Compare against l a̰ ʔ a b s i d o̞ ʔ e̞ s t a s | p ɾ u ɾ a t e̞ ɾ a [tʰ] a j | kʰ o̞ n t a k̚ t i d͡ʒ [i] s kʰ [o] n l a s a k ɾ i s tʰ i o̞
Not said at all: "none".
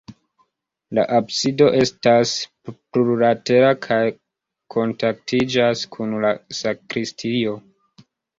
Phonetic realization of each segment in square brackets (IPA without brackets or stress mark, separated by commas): kʰ, a, u